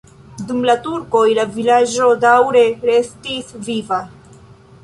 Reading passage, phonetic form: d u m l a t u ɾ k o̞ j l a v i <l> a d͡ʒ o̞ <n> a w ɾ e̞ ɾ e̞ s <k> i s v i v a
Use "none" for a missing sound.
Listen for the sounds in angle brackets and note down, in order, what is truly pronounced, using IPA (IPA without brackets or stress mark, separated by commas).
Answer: l, d, t